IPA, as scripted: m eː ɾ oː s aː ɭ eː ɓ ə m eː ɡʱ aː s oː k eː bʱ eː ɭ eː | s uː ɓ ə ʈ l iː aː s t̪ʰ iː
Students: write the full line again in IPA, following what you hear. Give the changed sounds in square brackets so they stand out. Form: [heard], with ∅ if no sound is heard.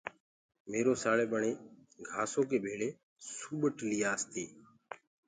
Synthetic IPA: m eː ɾ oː s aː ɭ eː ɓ ə [ɳ] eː ɡʱ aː s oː k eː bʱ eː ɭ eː | s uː ɓ ə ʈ l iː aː s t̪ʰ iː